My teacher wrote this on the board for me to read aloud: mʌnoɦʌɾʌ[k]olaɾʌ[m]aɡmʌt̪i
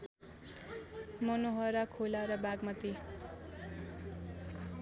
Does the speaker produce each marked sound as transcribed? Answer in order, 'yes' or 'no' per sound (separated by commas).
no, no